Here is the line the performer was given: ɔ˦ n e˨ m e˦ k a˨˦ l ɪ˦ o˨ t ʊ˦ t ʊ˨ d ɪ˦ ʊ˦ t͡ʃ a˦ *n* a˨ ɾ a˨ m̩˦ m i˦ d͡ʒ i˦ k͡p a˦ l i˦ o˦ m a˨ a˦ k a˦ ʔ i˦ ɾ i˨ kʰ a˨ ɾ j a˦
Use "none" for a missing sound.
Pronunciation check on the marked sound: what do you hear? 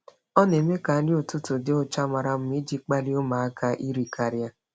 m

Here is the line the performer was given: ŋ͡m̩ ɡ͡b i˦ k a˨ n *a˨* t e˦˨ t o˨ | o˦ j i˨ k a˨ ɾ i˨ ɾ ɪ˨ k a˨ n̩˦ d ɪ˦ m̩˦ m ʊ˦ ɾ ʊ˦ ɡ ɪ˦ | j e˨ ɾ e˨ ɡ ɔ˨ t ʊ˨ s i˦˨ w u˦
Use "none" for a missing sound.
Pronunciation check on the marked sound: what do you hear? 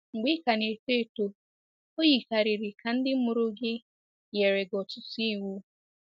e˨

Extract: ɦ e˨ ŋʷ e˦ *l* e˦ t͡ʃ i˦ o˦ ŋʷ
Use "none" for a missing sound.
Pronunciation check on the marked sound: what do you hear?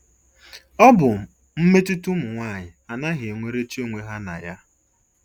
ɾ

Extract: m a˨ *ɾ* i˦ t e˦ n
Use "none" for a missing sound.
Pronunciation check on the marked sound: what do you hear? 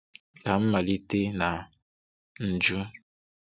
l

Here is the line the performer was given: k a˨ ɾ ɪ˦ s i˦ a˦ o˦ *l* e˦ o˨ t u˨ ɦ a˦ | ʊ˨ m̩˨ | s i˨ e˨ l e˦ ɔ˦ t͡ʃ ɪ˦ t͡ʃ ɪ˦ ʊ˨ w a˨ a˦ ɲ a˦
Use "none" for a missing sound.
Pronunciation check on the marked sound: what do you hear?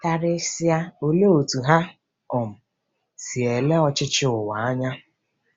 l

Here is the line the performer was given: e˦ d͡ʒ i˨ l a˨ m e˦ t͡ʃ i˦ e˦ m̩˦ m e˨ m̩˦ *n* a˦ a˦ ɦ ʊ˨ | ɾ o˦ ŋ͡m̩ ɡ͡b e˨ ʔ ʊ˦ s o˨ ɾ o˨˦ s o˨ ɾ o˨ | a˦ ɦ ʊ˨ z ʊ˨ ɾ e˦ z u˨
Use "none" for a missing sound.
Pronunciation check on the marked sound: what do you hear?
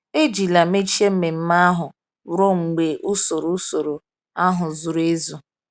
m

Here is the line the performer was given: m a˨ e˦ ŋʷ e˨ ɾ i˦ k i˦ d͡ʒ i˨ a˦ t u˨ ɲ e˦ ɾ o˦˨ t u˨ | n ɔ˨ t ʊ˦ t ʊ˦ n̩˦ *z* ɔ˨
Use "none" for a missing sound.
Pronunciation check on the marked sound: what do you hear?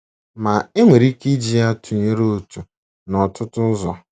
z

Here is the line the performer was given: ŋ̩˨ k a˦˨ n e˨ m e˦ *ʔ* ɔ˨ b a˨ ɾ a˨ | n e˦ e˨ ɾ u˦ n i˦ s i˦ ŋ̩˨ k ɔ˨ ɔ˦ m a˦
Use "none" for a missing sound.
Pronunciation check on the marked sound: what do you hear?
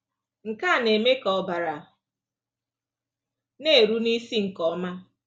k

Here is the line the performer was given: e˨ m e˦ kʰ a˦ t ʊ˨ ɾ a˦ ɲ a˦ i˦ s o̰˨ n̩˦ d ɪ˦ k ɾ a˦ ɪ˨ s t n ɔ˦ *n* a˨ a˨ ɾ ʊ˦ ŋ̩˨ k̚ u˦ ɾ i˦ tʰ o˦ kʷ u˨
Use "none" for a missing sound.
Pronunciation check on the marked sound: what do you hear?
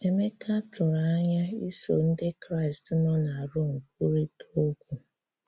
n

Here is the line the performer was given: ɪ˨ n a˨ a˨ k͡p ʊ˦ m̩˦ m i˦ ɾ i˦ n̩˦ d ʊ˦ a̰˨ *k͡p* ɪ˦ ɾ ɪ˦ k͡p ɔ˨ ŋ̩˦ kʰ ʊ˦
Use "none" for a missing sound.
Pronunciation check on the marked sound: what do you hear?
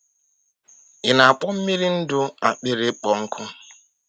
k͡p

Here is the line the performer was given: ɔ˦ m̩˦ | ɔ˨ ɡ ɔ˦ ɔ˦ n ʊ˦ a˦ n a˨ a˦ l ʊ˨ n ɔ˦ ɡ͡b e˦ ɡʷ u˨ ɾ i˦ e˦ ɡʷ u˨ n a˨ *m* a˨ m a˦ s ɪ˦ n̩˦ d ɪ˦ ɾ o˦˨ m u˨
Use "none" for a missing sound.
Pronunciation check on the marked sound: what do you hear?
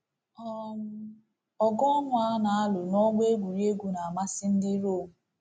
none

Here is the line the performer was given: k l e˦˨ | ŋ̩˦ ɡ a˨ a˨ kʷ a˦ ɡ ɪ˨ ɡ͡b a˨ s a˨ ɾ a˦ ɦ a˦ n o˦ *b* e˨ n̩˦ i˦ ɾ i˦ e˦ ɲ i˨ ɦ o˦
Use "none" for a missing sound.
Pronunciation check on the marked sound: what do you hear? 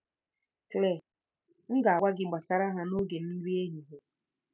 ɡ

